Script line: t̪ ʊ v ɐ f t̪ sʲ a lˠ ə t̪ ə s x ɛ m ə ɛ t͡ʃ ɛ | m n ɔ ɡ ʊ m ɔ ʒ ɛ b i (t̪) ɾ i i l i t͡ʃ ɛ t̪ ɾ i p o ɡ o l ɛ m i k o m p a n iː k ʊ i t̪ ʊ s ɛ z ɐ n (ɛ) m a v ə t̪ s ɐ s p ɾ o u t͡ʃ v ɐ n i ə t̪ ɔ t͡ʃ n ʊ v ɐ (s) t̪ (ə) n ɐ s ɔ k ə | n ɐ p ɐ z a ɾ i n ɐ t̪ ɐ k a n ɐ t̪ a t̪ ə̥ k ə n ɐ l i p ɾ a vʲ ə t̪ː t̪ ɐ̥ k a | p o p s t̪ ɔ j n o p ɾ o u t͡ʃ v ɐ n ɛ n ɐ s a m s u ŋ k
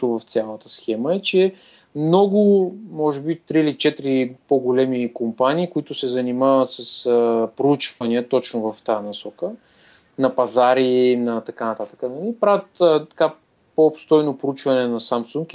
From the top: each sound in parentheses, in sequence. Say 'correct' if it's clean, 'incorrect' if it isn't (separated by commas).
correct, incorrect, incorrect, incorrect